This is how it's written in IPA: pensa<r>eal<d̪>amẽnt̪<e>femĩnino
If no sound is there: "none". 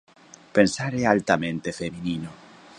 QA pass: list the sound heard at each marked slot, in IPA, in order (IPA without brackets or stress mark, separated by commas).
ɾ, t̪, e